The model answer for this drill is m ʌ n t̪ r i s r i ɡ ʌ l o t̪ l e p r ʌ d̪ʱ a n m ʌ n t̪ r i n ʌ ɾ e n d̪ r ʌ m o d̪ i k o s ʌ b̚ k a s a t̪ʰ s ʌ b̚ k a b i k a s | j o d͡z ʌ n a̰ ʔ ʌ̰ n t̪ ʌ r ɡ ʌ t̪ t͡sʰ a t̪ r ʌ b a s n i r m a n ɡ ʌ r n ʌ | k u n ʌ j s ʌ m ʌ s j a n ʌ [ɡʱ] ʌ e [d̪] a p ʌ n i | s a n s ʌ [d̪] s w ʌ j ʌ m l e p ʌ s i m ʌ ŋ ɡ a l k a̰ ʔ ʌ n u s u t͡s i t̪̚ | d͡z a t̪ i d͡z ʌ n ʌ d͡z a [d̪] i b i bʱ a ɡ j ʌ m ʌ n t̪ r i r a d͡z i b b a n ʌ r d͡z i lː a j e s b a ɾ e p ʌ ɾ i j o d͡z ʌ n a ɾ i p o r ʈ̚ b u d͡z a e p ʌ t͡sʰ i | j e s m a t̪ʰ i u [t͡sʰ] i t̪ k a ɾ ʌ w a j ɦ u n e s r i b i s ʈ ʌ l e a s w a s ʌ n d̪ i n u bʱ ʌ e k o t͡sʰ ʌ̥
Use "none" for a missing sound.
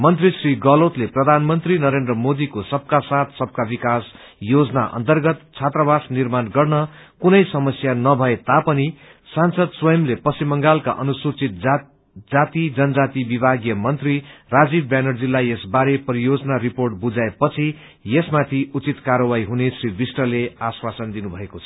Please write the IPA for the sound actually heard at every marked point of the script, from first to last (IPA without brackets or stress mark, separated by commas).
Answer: bʱ, t̪, d̪, t̪, t͡s